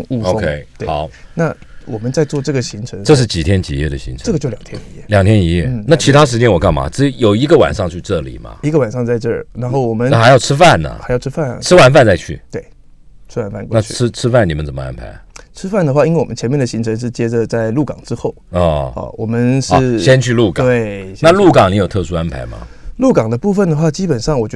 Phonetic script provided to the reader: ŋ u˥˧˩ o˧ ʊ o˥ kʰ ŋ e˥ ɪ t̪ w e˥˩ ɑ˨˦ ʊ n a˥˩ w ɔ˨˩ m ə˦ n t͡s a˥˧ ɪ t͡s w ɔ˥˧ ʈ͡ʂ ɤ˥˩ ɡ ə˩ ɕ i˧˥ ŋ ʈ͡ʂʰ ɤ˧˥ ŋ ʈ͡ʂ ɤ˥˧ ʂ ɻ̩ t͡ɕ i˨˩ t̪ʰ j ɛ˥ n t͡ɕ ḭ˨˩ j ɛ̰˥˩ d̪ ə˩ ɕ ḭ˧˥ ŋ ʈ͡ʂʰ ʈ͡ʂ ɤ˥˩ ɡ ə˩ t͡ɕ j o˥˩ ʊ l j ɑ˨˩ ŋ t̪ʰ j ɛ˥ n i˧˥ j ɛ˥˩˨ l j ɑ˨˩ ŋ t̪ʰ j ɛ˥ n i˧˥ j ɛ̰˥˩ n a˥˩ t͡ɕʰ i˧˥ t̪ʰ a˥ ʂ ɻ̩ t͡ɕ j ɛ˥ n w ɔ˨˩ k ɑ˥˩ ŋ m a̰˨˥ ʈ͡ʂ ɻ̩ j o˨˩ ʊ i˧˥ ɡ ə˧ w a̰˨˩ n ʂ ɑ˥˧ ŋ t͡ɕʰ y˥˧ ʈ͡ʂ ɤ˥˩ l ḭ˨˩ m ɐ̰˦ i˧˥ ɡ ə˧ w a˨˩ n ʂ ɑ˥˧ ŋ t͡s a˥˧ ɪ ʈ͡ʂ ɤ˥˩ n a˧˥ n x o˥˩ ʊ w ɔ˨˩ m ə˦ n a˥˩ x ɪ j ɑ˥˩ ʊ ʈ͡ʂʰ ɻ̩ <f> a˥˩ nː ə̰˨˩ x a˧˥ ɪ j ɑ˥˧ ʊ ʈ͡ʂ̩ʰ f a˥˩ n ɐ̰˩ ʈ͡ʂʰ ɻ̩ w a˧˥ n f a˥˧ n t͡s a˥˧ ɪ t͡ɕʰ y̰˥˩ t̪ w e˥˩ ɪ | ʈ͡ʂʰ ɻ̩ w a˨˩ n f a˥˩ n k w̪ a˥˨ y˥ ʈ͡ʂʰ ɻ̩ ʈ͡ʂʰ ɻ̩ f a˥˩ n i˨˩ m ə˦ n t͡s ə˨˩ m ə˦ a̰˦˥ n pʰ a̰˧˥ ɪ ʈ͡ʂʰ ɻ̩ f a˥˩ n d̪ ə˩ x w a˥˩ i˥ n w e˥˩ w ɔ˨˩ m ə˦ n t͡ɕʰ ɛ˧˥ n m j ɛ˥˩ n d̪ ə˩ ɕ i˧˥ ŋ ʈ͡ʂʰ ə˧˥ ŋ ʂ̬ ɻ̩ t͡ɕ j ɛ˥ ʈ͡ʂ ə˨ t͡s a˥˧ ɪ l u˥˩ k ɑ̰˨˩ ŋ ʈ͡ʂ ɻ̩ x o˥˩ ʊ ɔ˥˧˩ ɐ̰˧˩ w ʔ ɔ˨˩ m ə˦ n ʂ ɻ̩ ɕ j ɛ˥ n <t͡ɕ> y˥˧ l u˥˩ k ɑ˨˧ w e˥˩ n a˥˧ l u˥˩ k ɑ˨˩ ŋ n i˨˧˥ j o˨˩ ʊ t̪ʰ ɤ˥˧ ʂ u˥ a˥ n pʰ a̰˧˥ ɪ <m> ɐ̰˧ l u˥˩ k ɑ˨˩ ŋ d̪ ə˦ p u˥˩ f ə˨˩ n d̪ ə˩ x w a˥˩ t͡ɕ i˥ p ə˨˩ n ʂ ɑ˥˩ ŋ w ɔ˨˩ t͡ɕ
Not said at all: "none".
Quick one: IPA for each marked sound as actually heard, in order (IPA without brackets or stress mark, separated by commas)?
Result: f, t͡ɕʰ, m